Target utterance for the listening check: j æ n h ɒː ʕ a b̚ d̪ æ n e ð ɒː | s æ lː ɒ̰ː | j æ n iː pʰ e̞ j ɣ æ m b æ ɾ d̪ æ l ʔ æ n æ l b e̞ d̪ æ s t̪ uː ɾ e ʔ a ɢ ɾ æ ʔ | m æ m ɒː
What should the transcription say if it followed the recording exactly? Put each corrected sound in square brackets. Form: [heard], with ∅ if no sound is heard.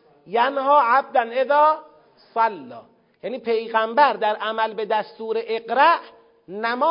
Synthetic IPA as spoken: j æ n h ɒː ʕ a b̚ d̪ æ n e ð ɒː | s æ lː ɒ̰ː | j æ n iː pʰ e̞ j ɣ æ m b æ ɾ d̪ æ [ɾ] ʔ æ [m] æ l b e̞ d̪ æ s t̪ uː ɾ e ʔ [e] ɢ ɾ æ ʔ | [n] æ m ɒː